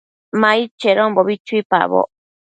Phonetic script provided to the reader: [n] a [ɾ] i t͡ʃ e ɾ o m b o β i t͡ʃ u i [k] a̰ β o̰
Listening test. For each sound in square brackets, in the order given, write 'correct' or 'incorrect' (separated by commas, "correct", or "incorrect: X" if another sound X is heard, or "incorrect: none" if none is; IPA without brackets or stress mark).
incorrect: m, incorrect: none, incorrect: p